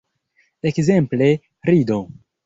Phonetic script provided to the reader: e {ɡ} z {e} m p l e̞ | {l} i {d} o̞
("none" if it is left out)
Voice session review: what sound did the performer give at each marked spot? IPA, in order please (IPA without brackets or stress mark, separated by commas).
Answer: k, e, ɾ, d